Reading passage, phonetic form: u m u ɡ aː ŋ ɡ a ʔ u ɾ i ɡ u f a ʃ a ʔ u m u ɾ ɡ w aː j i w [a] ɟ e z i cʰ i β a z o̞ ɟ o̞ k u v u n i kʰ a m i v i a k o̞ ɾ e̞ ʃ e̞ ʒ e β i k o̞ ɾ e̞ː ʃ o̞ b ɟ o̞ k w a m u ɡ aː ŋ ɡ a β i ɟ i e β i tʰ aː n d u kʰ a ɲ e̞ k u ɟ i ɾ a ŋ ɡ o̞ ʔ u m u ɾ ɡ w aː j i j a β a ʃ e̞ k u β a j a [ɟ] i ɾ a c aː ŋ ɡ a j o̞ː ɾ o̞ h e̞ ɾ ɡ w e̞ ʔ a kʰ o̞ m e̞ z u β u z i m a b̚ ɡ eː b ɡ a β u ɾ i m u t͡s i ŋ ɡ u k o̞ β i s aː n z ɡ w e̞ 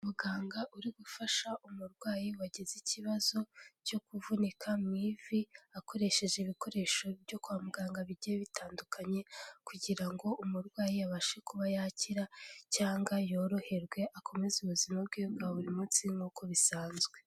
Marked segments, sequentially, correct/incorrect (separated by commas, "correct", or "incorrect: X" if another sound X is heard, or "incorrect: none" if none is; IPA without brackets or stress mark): correct, incorrect: c